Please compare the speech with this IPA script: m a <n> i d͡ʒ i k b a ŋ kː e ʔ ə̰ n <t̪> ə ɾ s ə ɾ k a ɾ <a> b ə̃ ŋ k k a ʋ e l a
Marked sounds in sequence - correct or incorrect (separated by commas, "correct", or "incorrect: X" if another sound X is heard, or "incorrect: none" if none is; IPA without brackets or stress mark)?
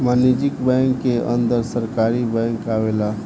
correct, incorrect: d̪, incorrect: i